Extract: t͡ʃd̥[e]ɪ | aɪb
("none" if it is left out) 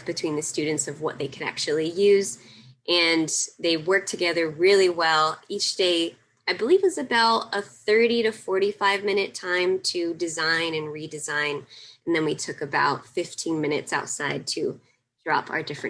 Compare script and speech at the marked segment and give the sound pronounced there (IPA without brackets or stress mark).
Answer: e